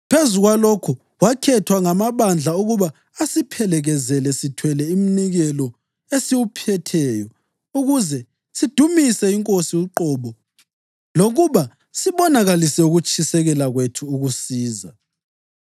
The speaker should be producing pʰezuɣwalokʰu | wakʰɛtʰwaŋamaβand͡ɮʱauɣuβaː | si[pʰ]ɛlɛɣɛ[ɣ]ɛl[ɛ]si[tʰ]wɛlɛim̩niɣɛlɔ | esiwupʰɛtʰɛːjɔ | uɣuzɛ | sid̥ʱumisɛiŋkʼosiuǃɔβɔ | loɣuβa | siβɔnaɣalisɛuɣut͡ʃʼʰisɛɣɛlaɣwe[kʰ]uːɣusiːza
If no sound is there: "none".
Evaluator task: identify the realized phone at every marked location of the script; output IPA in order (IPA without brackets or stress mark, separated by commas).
pʰ, z, ɛ, tʰ, tʰ